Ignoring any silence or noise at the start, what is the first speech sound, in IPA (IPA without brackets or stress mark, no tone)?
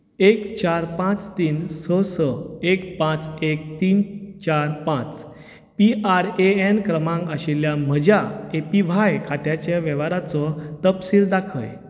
e